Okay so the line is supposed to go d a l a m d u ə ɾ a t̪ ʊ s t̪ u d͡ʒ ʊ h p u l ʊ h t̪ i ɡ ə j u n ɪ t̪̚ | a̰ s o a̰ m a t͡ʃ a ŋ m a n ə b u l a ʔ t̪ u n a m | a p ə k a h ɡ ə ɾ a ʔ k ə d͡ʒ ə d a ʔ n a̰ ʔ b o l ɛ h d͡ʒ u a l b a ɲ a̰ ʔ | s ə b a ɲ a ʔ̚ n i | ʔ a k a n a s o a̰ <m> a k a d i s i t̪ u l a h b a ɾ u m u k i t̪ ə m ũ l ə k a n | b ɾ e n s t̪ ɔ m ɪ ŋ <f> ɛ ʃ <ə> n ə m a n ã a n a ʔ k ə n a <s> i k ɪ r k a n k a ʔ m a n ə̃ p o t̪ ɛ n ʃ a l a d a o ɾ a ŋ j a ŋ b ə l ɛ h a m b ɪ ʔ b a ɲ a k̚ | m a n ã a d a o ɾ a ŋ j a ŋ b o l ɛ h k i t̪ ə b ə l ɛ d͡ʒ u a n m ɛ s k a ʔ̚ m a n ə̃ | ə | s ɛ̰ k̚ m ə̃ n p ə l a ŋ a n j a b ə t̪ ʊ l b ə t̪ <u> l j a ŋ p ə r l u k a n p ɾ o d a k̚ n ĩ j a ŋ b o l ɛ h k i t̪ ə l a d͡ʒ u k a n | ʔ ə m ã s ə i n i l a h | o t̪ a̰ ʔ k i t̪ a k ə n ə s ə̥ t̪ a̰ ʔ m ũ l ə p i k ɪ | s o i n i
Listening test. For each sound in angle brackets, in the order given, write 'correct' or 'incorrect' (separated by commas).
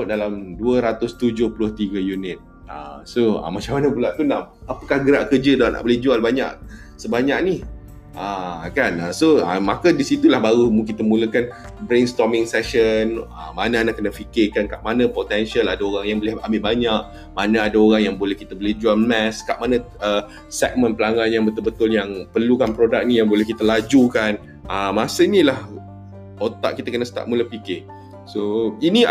correct, incorrect, correct, incorrect, incorrect